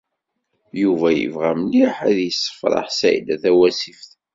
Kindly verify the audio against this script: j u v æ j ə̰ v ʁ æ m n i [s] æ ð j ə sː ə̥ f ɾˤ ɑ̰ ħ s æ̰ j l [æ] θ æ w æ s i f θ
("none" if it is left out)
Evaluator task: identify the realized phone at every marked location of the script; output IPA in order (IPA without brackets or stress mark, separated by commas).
ħ, æ